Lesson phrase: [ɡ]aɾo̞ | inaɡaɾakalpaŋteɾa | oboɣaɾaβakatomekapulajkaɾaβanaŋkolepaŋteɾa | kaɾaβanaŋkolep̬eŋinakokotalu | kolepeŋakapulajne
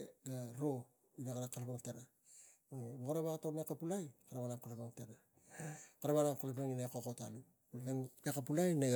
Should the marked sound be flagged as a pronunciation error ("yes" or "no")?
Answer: no